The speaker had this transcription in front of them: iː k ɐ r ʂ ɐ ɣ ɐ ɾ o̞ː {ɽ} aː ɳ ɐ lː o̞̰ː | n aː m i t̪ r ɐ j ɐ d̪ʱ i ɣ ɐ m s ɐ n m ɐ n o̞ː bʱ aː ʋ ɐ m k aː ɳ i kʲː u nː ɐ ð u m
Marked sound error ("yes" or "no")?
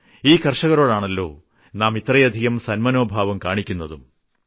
no